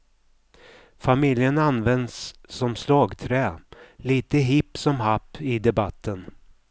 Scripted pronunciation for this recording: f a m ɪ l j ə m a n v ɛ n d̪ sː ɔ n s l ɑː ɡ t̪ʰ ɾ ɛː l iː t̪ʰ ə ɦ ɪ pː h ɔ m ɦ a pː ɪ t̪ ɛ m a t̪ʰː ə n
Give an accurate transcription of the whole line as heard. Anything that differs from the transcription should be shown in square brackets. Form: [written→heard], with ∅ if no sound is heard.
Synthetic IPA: f a m ɪ l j ə [m→n] a n v ɛ n d̪ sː ɔ [n→m] s l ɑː ɡ t̪ʰ ɾ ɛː l iː [t̪ʰ→t̪] ə ɦ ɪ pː [h→s] ɔ m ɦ a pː ɪ [t̪→d̪] ɛ [m→b] a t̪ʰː ə n